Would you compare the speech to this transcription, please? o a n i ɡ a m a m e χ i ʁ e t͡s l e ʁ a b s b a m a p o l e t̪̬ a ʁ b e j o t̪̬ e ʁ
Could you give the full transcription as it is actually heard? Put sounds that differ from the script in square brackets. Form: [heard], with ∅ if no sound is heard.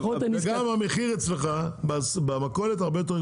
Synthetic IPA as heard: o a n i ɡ a m a m e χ i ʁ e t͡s l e [χ] a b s b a m a [k] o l e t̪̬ a ʁ b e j o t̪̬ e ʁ